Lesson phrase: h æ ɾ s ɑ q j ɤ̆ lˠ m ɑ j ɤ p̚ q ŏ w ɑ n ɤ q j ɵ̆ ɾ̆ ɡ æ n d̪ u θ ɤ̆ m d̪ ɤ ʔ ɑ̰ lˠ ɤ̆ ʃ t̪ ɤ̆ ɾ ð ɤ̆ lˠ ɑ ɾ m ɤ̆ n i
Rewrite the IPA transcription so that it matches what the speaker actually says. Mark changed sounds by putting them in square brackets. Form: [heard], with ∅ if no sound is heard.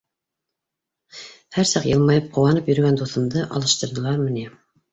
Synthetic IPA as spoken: h æ ɾ s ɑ q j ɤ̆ lˠ m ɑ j ɤ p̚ q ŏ w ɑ n ɤ [p] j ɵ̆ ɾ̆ ɡ æ n d̪ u θ ɤ̆ m d̪ ɤ ʔ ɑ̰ lˠ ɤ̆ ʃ t̪ ɤ̆ ɾ ð ɤ̆ lˠ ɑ ɾ m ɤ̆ n i

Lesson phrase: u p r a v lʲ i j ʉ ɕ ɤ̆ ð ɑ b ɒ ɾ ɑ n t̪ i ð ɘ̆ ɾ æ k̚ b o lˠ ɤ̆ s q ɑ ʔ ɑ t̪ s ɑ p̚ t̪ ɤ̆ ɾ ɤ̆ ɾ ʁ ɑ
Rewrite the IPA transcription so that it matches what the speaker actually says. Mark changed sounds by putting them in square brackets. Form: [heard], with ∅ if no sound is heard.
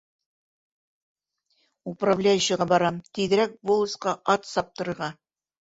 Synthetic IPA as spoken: u p r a v lʲ [æ] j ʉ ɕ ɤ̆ [ʁ] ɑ b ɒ ɾ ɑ [m] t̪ i ð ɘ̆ ɾ æ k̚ b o lˠ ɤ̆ s q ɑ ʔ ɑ t̪ s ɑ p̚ t̪ ɤ̆ ɾ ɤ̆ ɾ ʁ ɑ

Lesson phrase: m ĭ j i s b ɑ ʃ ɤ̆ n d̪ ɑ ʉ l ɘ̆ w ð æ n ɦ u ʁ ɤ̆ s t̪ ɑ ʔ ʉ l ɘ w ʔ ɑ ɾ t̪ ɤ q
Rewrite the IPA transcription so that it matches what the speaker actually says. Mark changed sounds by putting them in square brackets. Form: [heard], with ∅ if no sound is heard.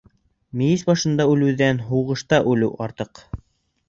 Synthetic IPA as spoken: m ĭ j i s b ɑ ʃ ɤ̆ n d̪ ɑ ʉ l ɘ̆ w ð æ n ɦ u ʁ ɤ̆ [ʃ] t̪ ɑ ʔ ʉ l ɘ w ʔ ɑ ɾ t̪ ɤ q

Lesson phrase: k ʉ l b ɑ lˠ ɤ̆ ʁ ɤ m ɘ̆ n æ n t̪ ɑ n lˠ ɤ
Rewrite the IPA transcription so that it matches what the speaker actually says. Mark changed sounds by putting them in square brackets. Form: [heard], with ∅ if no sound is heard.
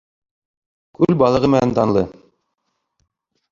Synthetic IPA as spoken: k ʉ l b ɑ lˠ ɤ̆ ʁ ɤ m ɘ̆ n æ n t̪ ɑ n lˠ ɤ

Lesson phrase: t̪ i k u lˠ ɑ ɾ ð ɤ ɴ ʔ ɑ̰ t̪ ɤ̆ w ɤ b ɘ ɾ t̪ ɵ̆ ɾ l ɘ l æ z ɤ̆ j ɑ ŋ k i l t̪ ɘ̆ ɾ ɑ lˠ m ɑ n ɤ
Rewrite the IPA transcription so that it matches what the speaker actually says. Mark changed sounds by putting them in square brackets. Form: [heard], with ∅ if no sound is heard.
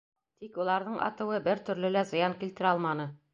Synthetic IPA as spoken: t̪ i k u lˠ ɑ ɾ ð ɤ ɴ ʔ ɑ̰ t̪ ɤ̆ w ɤ b ɘ ɾ t̪ ɵ̆ ɾ l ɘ l æ z ɤ̆ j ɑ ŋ k i l t̪ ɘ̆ ɾ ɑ lˠ m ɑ n ɤ

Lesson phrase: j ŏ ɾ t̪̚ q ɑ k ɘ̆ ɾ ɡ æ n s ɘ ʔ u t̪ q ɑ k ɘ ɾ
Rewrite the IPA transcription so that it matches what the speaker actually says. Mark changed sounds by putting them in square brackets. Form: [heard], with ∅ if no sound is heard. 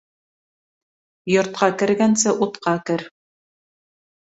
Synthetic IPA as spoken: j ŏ ɾ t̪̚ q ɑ k ɘ̆ ɾ ɡ æ n s ɘ ʔ u t̪ q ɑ k ɘ ɾ

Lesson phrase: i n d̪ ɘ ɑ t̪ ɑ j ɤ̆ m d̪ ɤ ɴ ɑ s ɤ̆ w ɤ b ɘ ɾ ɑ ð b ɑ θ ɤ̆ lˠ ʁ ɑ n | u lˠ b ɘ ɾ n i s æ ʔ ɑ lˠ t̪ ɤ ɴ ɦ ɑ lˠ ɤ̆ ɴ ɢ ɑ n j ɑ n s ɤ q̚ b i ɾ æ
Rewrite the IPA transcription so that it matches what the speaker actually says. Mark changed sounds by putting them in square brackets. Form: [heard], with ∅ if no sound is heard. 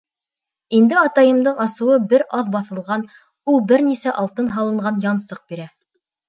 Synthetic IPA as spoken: i n d̪ ɘ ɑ t̪ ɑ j ɤ̆ m d̪ ɤ ɴ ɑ s ɤ̆ w ɤ b ɘ ɾ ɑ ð b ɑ θ ɤ̆ lˠ ʁ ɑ n | u lˠ b ɘ ɾ n i s æ ʔ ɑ lˠ t̪ ɤ [n] ɦ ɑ lˠ ɤ̆ ɴ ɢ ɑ n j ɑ n s ɤ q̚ b i ɾ æ

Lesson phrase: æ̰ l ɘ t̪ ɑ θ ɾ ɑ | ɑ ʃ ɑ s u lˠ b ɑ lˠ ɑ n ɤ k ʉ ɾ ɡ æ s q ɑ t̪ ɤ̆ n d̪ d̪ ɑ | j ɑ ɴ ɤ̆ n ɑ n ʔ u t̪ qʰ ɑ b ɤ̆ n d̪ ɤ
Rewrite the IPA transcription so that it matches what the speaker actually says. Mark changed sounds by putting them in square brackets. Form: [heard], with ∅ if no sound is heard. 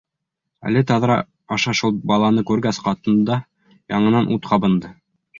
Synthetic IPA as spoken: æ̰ l ɘ t̪ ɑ [ð] ɾ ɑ | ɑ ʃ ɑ [ʃ] u lˠ b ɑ lˠ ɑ n ɤ k ʉ ɾ ɡ æ s q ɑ t̪ ɤ̆ n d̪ d̪ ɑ | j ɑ ɴ ɤ̆ n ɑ n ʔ u t̪ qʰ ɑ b ɤ̆ n d̪ ɤ

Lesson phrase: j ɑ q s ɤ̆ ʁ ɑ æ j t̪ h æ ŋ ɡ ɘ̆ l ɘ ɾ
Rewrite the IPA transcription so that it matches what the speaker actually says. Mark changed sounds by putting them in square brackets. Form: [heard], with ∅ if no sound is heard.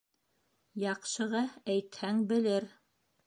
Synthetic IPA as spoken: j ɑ q [ʃ] ɤ̆ ʁ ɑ æ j t̪ h æ ŋ [b] ɘ̆ l ɘ ɾ

